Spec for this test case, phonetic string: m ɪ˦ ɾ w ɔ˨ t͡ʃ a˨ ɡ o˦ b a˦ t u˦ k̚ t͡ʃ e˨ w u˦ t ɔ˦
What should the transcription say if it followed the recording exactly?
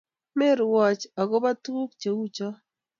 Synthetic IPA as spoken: m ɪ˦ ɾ w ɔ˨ t͡ʃ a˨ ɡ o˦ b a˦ t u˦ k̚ t͡ʃ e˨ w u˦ t͡ʃ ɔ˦